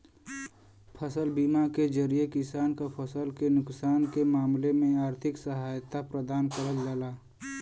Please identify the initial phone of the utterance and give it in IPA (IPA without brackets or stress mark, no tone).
pʰ